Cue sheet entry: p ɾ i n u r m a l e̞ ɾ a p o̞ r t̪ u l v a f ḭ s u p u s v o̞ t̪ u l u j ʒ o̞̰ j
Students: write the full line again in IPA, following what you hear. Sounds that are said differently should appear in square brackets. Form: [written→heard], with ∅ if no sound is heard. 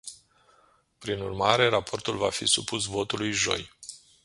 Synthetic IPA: p ɾ i n u r m a [l→ɾ] e̞ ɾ a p o̞ r t̪ u l v a f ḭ s u p u s v o̞ t̪ u l u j ʒ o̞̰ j